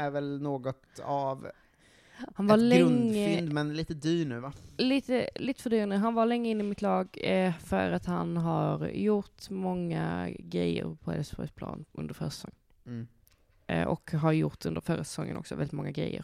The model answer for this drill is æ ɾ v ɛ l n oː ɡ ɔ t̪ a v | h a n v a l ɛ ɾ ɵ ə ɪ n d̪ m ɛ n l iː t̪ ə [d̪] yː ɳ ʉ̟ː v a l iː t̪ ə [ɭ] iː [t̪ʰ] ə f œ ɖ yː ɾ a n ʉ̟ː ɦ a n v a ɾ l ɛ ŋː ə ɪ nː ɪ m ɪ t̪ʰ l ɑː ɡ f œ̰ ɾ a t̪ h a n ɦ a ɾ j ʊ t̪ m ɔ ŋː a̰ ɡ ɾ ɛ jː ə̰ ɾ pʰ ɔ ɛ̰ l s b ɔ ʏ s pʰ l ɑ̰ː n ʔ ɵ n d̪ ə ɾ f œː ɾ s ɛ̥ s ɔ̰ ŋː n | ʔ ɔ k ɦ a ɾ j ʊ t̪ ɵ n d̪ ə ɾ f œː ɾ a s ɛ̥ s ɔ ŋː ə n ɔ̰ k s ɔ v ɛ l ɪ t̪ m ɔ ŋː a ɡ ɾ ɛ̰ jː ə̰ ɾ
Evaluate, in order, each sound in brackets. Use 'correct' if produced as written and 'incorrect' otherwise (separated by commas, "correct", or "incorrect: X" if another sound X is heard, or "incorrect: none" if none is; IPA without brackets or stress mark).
correct, incorrect: l, incorrect: t̪